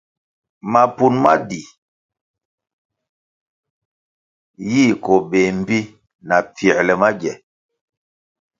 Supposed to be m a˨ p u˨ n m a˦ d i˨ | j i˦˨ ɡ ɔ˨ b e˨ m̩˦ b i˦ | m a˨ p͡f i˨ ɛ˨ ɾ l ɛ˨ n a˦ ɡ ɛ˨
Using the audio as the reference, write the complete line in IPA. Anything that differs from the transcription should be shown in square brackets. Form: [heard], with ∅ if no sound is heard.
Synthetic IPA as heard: m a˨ p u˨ n m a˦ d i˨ | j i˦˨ [k] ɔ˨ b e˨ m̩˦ b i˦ | [n] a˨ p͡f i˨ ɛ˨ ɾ l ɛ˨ [m] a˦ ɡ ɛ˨